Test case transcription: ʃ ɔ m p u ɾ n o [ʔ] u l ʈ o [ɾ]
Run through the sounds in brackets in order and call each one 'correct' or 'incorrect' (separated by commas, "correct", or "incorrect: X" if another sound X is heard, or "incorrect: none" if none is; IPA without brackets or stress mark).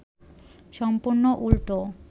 correct, incorrect: none